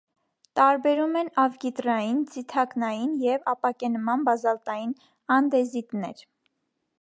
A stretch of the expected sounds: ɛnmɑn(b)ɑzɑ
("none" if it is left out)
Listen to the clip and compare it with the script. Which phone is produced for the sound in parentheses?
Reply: b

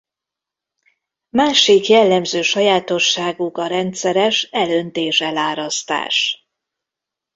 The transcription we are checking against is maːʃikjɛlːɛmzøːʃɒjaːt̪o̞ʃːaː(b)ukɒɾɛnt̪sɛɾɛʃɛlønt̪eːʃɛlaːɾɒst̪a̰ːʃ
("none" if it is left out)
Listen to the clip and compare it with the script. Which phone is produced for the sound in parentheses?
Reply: ɡ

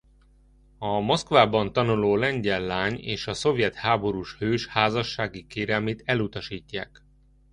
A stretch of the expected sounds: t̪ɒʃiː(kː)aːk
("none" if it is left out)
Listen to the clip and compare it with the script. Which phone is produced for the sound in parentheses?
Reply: cː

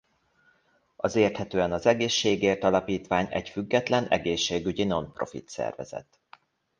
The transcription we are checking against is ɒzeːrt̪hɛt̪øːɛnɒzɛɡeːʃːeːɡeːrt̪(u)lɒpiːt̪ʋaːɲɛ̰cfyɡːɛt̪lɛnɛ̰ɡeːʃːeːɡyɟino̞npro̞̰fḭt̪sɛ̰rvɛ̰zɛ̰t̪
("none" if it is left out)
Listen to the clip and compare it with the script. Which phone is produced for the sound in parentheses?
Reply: ɒ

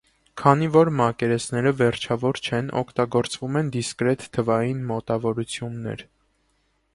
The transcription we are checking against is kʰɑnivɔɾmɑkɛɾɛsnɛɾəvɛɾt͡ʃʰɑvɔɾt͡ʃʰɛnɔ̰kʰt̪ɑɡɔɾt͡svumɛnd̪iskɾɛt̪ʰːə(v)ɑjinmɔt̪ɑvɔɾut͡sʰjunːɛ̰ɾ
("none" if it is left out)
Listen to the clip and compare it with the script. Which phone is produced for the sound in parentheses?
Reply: v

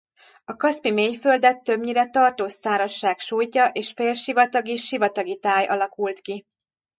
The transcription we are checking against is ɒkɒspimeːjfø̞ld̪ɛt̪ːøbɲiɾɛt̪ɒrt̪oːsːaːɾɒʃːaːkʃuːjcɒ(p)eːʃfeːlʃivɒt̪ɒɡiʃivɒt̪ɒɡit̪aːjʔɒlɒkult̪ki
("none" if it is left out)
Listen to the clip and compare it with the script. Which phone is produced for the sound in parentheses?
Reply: ʔ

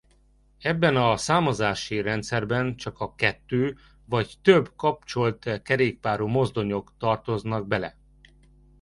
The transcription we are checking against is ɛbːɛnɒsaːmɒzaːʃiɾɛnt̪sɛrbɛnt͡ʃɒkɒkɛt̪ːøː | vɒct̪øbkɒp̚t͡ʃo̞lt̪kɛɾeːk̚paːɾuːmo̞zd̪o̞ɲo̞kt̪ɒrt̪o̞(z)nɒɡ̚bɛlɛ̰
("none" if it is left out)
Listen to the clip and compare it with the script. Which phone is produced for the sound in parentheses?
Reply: z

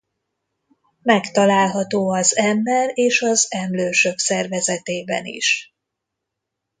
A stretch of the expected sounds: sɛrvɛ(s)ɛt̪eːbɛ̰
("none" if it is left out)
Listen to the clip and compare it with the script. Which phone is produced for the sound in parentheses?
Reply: z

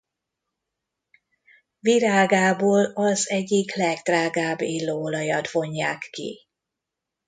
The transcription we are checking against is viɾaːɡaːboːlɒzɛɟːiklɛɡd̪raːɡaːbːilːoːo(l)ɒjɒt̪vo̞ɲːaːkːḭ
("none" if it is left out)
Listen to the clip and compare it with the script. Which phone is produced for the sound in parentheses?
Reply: l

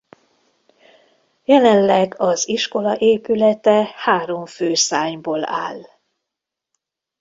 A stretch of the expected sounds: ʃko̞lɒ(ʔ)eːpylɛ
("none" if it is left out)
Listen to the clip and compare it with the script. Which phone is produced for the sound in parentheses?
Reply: ʔ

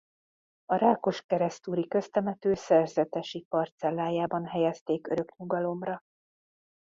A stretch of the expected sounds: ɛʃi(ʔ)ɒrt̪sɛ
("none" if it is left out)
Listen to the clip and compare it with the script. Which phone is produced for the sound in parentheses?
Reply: p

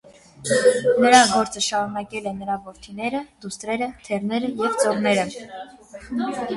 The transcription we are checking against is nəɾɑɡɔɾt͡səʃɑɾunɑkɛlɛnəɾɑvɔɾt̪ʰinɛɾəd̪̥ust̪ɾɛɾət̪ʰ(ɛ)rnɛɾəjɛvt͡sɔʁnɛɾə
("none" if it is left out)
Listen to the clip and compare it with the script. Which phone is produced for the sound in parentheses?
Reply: ɛ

